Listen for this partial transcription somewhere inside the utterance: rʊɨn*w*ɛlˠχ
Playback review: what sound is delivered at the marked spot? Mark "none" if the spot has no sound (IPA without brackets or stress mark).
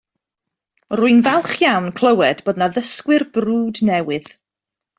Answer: v